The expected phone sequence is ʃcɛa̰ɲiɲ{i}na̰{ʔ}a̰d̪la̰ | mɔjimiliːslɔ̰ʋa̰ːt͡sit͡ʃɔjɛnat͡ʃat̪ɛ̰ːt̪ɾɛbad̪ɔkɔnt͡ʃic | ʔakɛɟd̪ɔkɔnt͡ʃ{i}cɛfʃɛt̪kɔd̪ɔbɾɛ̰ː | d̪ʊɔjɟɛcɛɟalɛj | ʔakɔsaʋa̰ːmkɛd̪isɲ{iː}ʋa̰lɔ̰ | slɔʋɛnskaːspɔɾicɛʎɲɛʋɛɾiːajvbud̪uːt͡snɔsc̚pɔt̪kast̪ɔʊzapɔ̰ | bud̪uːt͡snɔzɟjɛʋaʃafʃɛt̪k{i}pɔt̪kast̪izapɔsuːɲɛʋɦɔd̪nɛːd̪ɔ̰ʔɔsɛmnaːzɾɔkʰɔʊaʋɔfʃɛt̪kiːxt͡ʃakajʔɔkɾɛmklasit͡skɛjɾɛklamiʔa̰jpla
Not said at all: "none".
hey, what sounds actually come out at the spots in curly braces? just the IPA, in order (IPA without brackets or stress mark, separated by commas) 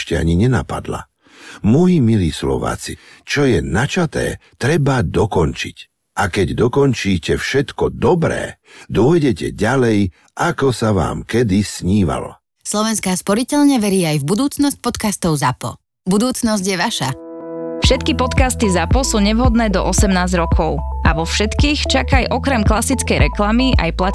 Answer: ɛ, p, iː, iː, i